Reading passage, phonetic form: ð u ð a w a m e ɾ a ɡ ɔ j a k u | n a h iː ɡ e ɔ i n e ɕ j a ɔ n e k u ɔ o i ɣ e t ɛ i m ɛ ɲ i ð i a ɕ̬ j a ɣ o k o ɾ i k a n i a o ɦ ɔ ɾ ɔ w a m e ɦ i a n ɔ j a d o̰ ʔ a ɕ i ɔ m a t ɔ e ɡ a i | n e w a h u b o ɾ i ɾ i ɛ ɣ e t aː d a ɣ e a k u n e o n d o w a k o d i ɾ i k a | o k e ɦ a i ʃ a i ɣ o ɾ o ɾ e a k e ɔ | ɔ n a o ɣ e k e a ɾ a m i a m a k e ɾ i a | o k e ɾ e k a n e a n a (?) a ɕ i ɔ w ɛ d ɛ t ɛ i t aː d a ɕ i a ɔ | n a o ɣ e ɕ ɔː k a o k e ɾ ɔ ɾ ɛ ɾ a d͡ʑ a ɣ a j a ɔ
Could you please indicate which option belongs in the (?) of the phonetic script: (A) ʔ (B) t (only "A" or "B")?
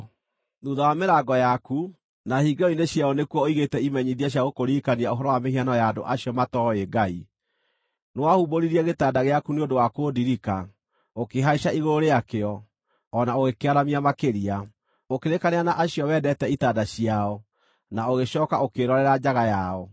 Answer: A